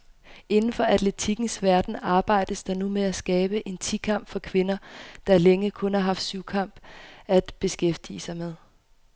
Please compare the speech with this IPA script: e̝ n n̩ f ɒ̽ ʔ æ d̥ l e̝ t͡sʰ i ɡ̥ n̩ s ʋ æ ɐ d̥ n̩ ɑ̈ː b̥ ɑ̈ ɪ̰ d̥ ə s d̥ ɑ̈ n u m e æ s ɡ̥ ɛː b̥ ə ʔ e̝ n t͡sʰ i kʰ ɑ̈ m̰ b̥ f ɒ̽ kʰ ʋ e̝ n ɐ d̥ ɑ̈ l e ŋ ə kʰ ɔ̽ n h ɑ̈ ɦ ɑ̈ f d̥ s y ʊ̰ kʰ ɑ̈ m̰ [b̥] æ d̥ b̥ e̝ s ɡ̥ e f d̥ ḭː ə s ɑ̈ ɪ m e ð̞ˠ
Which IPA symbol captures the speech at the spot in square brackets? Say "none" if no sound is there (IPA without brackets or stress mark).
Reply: b̥